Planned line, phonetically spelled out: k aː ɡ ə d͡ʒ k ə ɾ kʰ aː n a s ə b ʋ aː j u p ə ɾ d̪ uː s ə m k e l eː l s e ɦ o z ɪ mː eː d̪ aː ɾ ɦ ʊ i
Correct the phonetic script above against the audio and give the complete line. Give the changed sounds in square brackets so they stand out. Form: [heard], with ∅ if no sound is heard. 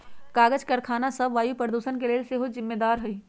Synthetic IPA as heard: k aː ɡ ə d͡ʒ k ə ɾ kʰ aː n a s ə b ʋ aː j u p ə ɾ d̪ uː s ə [n] k e l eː l s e ɦ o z ɪ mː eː d̪ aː ɾ ɦ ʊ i